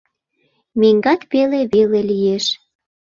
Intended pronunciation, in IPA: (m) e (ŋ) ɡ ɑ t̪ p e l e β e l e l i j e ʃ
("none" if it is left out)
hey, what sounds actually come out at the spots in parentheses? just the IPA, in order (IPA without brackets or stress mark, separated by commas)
m, ŋ